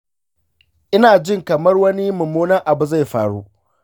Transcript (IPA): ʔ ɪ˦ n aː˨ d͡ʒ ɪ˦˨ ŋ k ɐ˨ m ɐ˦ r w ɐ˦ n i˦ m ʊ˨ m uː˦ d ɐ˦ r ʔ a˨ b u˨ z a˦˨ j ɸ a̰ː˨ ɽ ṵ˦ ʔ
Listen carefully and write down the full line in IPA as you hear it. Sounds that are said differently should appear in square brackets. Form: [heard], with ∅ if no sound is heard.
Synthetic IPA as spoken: ʔ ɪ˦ n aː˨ d͡ʒ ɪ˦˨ ŋ k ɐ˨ m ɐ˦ r w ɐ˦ n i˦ m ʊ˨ m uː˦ [n] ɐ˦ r ʔ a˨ b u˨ z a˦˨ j ɸ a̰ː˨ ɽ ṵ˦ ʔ